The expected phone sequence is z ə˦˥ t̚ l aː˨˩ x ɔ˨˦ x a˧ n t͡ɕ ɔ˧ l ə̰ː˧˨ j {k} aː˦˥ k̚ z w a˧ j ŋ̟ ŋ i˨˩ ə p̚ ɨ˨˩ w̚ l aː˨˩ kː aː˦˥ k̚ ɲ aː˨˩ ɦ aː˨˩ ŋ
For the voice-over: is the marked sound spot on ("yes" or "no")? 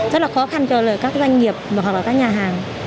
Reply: yes